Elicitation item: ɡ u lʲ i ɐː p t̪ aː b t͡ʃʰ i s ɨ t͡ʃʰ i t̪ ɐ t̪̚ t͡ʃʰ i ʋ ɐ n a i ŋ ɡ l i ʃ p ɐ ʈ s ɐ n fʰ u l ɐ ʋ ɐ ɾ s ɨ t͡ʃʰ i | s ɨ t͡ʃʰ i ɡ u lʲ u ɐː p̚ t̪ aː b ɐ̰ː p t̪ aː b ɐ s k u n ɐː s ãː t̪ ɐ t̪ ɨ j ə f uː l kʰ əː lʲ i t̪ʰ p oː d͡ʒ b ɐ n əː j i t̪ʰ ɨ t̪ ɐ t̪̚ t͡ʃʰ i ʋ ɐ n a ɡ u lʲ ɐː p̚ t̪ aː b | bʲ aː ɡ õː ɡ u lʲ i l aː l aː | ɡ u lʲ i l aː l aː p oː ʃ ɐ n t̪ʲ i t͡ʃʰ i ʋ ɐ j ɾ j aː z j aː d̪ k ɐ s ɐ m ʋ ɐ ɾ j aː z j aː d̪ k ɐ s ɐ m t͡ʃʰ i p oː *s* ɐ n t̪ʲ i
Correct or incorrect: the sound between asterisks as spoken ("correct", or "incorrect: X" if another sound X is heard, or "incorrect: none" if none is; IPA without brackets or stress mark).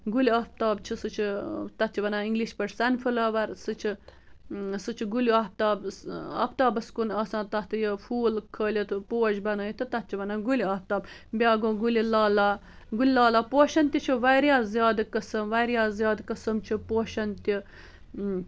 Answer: incorrect: ʃ